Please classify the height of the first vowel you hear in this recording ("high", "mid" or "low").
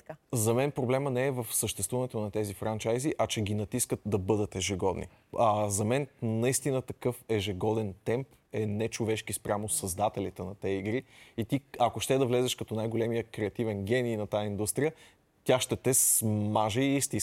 low